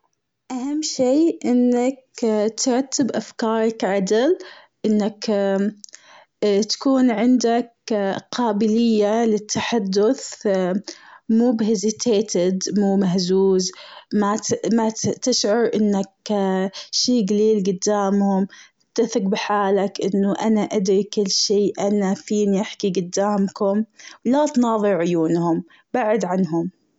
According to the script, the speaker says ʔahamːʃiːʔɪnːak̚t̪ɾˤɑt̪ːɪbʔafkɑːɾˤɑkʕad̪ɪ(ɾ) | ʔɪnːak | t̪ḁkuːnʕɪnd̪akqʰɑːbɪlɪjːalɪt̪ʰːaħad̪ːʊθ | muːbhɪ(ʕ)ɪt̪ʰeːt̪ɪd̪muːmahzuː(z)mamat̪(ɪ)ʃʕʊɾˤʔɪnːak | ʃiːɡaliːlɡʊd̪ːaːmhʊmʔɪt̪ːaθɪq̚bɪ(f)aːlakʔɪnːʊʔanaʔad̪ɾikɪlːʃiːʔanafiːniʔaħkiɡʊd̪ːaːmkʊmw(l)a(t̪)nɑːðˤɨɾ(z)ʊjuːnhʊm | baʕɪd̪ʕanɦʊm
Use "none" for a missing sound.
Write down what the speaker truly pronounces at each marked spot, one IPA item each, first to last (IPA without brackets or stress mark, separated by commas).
l, z, z, ɪ, ħ, l, t̪, ʕ